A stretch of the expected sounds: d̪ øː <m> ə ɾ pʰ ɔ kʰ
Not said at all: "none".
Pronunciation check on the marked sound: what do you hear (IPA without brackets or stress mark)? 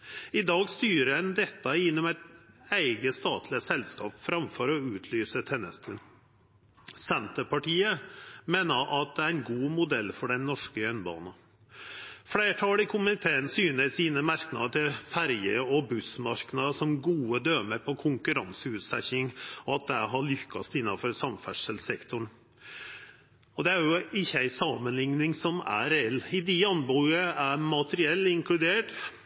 m